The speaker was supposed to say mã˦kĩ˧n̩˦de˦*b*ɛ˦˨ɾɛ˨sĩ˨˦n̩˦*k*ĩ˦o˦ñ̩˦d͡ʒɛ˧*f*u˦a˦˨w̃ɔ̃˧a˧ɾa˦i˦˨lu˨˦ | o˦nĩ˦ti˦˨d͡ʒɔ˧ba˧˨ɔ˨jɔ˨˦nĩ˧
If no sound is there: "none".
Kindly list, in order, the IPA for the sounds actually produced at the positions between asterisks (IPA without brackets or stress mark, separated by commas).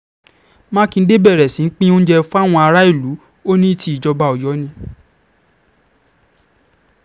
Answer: b, k͡p, f